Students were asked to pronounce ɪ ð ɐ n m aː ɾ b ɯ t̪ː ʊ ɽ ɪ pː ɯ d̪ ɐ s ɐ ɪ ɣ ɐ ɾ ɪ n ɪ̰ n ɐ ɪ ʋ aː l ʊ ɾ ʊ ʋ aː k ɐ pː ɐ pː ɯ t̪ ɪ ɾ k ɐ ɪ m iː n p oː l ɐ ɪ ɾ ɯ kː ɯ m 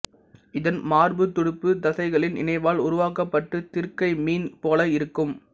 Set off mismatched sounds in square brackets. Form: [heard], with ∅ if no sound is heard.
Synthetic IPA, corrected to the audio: ɪ ð ɐ n m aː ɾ b ɯ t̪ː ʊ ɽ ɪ pː ɯ d̪ ɐ s ɐ ɪ ɣ ɐ [ɭ] ɪ n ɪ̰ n ɐ ɪ ʋ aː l ʊ ɾ ʊ ʋ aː k ɐ pː ɐ [ʈː] ɯ t̪ ɪ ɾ k ɐ ɪ m iː n p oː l ɐ ɪ ɾ ɯ kː ɯ m